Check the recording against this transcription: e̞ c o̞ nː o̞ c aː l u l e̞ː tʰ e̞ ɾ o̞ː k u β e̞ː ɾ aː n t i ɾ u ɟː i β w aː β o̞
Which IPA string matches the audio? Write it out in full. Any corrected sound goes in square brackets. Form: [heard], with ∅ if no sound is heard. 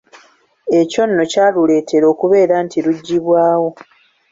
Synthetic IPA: e̞ c o̞ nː o̞ c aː l u l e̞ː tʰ e̞ ɾ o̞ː k u β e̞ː ɾ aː n t i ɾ u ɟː i β w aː [w] o̞